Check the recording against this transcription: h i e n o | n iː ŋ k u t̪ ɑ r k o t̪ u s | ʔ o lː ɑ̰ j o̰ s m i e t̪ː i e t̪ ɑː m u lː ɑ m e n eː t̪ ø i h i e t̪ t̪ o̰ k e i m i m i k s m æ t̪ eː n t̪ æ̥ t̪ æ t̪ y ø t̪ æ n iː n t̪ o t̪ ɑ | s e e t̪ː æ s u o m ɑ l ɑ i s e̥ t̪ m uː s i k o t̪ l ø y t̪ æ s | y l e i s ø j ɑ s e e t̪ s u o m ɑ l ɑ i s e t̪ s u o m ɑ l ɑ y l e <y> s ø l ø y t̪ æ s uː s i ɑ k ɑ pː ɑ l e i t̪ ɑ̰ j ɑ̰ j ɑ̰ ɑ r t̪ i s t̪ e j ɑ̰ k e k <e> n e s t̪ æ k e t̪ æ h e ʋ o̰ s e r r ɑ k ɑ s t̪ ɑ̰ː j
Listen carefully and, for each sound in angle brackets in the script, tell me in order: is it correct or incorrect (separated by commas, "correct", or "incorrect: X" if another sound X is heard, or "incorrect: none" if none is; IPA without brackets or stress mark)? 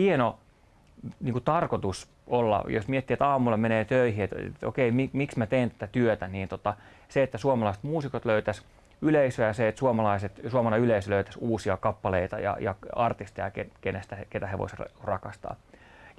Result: incorrect: i, correct